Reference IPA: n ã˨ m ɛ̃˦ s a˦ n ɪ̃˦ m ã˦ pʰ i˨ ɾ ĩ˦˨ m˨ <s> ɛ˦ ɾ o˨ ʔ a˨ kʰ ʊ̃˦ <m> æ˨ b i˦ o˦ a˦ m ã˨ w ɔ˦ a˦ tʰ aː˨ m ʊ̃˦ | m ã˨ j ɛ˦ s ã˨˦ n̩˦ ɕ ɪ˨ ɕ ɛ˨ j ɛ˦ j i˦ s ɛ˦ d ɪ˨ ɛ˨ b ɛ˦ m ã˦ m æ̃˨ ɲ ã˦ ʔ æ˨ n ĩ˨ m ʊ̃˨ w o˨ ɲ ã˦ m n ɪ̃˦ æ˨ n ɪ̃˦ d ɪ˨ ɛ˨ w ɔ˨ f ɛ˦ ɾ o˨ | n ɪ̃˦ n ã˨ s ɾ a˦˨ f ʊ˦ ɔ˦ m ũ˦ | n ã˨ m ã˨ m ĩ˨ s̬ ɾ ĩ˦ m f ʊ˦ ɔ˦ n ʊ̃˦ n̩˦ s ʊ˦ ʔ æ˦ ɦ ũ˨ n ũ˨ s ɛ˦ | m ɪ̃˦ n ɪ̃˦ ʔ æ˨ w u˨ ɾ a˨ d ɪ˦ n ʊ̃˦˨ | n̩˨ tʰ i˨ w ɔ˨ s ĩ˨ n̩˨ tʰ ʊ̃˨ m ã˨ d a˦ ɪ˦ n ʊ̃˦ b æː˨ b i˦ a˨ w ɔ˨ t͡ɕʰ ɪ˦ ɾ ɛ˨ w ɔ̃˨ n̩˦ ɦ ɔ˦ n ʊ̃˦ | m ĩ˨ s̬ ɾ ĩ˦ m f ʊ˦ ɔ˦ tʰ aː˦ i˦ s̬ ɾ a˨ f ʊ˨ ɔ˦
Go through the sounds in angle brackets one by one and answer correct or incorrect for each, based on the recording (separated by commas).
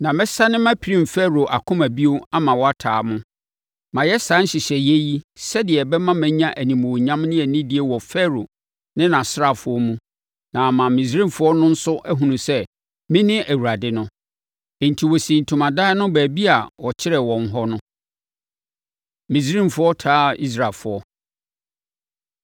incorrect, correct